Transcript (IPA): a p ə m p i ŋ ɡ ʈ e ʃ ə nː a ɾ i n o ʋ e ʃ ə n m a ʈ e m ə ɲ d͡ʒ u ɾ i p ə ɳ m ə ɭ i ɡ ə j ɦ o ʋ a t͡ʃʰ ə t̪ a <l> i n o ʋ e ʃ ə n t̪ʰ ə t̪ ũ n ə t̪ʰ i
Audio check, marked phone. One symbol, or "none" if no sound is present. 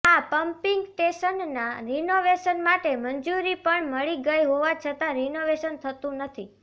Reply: ɾ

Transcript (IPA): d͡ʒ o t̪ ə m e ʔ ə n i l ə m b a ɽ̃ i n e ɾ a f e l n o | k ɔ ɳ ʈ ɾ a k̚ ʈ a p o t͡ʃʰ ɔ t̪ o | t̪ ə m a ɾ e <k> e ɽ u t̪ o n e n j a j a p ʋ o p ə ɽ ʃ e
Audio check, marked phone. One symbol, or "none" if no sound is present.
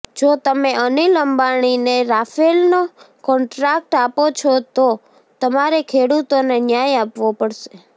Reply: kʰ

